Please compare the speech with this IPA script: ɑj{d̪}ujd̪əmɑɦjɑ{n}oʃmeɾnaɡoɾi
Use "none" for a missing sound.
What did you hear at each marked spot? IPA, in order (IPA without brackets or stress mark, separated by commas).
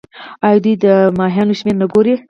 d̪, n